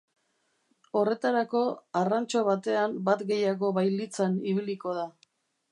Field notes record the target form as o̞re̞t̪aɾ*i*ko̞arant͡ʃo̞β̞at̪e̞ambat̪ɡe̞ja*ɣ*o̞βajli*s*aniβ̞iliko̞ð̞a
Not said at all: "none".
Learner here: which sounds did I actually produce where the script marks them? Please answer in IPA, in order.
a, ɣ, t͡s

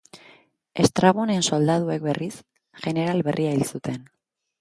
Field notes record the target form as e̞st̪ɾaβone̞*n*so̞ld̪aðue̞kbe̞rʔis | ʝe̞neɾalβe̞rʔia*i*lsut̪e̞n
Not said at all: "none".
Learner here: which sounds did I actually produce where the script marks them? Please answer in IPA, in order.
n, i

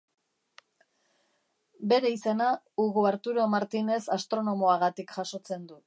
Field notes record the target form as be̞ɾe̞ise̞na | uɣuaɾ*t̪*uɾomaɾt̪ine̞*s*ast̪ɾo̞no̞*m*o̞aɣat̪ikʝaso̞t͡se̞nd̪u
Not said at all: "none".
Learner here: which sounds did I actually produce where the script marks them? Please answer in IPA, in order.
t̪, s, m

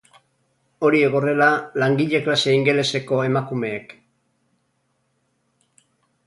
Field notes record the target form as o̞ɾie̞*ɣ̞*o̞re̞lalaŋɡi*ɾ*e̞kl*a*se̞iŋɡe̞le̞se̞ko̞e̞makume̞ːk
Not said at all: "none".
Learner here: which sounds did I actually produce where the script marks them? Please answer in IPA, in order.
ɣ̞, ʎ, a

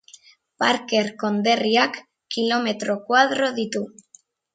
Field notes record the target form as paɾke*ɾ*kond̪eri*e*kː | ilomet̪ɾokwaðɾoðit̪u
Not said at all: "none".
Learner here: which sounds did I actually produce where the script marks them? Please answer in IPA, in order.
ɾ, a

